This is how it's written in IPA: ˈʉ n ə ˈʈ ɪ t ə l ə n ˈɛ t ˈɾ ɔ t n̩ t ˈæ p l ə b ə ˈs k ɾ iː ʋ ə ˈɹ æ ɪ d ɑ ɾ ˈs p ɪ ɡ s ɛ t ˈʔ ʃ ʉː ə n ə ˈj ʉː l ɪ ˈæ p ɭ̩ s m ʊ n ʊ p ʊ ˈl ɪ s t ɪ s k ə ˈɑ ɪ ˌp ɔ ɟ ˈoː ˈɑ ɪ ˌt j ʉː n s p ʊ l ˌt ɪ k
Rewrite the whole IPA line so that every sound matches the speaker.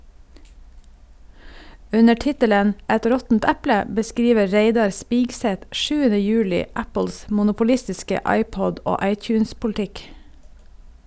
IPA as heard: ˈʉ n ə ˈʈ ɪ t ə l ə n ˈɛ t ˈɾ ɔ t n̩ t ˈæ p l ə b ə ˈs k ɾ iː ʋ ə ˈɹ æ ɪ d ɑ ɾ ˈs p ɪ ɡ s ɛ t ˈʔ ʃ ʉː ə n ə ˈj ʉː l ɪ ˈæ p ɭ̩ s m ʊ n ʊ p ʊ ˈl ɪ s t ɪ s k ə ˈɑ ɪ ˌp ɔ ɟ ˈoː ˈɑ ɪ ˌt j ʉː n s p ʊ l ˌt ɪ k